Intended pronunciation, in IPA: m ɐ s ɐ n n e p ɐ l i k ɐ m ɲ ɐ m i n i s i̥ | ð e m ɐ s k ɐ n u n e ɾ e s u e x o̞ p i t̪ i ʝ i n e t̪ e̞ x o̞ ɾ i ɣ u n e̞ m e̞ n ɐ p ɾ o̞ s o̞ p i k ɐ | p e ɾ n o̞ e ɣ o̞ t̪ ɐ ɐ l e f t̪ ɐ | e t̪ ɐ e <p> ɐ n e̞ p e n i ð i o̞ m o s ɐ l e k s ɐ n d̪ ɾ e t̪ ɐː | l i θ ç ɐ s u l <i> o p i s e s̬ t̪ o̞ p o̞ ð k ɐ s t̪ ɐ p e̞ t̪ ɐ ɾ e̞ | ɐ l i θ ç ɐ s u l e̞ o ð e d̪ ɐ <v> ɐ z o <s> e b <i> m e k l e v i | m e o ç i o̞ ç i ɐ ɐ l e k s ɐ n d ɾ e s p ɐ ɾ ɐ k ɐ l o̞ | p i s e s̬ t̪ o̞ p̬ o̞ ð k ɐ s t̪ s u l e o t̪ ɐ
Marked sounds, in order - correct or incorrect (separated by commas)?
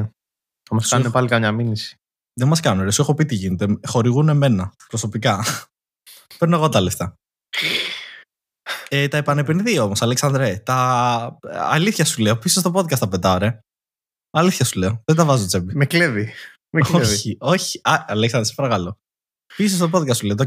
correct, incorrect, correct, incorrect, correct